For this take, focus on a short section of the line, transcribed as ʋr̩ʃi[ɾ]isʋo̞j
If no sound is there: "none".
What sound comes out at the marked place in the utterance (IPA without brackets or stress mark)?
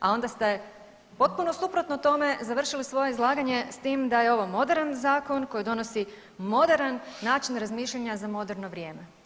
l